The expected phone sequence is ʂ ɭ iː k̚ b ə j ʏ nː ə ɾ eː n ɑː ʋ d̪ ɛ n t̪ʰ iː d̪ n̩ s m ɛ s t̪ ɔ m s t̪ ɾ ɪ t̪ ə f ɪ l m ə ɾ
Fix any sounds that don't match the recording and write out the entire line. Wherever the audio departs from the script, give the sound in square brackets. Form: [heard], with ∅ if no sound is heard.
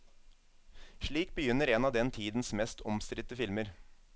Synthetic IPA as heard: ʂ ɭ iː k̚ b ə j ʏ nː ə ɾ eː n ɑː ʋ d̪ ɛ n t̪ʰ iː d̪ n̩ s m ɛ s t̪ ɔ m s t̪ ɾ ɪ t̪ ə f ɪ l m ə ɾ